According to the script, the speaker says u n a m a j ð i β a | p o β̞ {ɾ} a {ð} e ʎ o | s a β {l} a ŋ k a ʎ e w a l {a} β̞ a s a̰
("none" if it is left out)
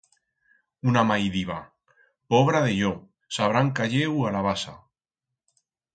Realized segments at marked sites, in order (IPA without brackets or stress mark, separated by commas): ɾ, ð, ɾ, a